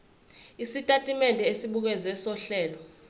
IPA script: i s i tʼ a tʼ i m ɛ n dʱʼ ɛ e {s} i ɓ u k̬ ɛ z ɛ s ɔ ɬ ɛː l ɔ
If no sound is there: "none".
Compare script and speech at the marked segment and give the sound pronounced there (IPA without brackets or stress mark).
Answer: s